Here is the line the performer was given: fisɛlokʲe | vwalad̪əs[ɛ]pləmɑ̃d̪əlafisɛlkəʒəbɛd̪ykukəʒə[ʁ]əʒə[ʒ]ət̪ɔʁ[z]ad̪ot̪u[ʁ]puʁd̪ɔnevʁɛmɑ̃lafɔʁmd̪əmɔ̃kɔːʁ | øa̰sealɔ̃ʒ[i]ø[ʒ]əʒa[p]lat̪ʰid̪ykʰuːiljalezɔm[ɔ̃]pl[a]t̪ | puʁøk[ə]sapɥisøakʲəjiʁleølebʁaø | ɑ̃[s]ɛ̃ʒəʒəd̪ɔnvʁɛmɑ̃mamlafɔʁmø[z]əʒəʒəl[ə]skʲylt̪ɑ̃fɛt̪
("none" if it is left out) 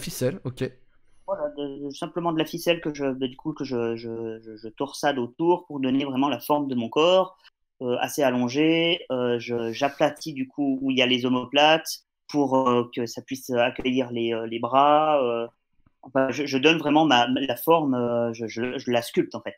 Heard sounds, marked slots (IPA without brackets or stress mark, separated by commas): ɛ̃, ʒ, ʒ, s, ʁ, e, ʒ, p, ɔ, a, ə, f, ʒ, a